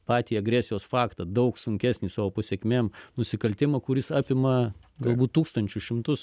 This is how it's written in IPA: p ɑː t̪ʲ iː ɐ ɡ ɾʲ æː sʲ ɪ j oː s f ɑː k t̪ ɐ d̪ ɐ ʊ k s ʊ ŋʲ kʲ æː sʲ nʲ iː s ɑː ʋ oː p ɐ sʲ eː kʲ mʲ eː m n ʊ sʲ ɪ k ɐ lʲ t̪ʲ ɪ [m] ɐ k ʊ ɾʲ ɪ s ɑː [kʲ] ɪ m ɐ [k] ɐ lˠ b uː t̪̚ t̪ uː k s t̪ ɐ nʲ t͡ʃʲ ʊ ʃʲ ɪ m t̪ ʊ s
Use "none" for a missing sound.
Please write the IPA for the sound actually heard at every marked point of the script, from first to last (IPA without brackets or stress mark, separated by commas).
m, pʲ, ɡ